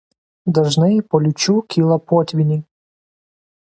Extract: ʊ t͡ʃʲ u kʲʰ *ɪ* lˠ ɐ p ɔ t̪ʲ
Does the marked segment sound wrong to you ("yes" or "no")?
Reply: yes